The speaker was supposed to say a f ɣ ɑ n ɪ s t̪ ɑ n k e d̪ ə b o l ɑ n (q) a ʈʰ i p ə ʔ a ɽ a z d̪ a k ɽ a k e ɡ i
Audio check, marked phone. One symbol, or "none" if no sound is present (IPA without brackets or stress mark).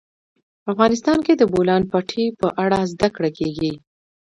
p